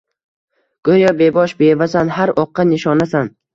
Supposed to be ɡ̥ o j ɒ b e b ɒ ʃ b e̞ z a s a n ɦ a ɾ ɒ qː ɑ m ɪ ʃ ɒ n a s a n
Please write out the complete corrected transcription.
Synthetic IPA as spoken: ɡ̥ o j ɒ b e b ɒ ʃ b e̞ v a s a n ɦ a ɾ ɒ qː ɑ n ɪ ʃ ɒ n a s a n